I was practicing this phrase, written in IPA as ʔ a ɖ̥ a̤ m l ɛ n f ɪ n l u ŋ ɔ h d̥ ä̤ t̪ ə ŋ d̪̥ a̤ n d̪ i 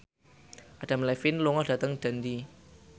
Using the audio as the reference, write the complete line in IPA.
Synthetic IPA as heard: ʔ a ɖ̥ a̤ m l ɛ f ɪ n l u ŋ ɔ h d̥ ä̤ t̪ ə ŋ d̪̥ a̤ n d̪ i